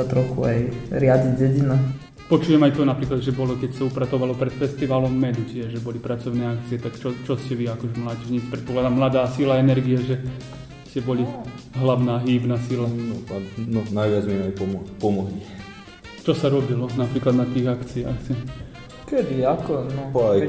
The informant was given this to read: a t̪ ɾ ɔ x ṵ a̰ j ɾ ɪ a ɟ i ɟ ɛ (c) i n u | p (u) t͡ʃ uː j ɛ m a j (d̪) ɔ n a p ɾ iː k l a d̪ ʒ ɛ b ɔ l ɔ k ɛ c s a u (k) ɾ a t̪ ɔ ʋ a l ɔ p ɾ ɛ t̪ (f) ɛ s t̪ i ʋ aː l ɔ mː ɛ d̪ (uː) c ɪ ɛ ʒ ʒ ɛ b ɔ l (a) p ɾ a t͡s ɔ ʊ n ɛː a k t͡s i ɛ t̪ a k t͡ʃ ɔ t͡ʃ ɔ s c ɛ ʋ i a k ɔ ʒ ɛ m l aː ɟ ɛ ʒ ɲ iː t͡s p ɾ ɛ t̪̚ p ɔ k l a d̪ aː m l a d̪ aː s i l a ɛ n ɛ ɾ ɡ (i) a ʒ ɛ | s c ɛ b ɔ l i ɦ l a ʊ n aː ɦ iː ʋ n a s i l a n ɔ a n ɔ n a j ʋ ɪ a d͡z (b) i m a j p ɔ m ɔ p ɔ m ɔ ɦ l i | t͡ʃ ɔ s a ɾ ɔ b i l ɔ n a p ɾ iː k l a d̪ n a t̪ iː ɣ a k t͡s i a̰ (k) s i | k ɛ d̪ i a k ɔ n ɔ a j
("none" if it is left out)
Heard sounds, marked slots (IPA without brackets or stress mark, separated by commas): ɟ, ɔ, t̪, p, f, u, i, i, m, x